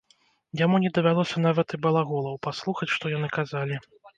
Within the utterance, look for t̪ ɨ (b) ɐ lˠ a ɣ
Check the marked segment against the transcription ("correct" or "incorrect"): correct